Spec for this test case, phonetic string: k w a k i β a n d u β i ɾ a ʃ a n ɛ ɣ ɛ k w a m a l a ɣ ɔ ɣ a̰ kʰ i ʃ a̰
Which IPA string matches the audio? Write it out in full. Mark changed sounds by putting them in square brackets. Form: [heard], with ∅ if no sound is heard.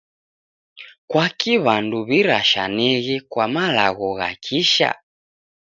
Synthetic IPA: k w a k i β a n d u β i ɾ a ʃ a n ɛ ɣ ɛ k w a m a l a ɣ ɔ ɣ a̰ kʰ i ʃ a̰